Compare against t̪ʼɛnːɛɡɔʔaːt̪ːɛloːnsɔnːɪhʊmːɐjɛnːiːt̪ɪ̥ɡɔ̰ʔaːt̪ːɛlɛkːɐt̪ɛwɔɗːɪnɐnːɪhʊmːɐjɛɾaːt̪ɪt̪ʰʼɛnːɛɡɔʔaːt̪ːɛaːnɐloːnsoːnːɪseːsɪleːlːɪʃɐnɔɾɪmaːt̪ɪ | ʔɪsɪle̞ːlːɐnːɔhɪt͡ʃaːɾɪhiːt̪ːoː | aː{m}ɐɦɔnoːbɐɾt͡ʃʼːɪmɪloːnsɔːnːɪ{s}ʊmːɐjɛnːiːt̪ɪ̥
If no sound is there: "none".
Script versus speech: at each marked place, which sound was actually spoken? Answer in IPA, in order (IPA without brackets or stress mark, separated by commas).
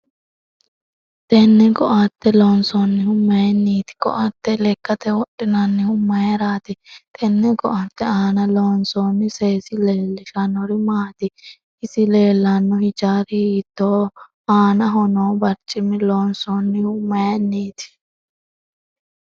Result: n, h